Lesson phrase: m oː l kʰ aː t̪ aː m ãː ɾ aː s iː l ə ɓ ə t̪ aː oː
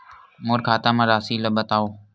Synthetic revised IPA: m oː ɾ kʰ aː t̪ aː m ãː ɾ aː s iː l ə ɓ ə t̪ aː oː